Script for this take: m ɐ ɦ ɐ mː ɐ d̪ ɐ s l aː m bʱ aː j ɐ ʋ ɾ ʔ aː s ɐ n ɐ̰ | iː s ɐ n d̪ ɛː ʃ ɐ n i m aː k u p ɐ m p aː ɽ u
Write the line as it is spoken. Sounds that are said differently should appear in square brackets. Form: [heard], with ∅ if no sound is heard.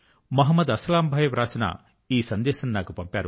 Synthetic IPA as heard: m ɐ ɦ ɐ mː ɐ d̪ ɐ s l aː m bʱ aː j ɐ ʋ ɾ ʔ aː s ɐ n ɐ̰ | iː s ɐ n d̪ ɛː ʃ ɐ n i [n] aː k u p ɐ m p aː [ɾ] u